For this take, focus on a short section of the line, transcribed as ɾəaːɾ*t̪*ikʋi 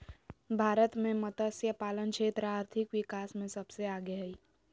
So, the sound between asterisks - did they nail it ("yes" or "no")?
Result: no